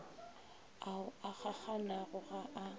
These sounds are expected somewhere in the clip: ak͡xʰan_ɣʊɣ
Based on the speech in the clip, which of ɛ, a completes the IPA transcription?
a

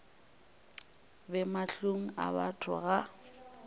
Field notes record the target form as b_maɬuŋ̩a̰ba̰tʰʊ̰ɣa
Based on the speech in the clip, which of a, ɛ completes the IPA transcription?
ɛ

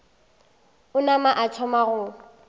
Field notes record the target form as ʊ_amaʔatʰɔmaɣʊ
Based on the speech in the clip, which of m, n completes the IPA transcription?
n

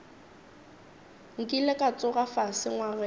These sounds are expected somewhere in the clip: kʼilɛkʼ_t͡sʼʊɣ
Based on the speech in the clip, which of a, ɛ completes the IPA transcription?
a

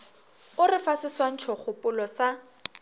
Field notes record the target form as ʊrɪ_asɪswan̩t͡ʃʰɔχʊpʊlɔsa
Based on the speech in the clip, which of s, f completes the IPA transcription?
f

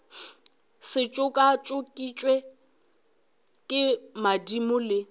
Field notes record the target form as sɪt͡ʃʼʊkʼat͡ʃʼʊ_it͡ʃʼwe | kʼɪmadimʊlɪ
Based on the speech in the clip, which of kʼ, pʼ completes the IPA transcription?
kʼ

